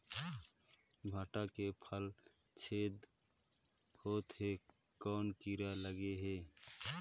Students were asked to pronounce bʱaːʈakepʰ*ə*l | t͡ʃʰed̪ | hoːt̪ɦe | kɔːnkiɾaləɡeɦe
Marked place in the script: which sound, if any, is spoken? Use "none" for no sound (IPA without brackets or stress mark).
ə